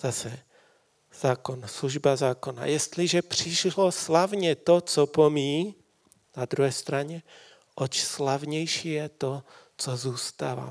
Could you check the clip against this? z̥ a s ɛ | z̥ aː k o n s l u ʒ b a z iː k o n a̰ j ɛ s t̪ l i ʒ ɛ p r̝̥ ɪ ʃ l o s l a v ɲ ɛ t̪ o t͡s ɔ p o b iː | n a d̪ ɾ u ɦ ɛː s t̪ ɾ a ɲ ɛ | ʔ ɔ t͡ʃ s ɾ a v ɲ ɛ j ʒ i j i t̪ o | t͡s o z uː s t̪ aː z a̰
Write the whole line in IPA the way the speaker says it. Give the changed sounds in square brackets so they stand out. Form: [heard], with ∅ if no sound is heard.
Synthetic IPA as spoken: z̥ a s ɛ | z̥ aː k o n s l u ʒ b a z [aː] k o n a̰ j ɛ s t̪ l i ʒ ɛ p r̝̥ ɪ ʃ l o s l a v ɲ ɛ t̪ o t͡s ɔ p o [m] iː | n a d̪ ɾ u ɦ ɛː s t̪ ɾ a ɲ ɛ | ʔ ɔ t͡ʃ s [l] a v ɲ ɛ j [ʃ] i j [ɛ] t̪ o | t͡s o z uː s t̪ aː [v] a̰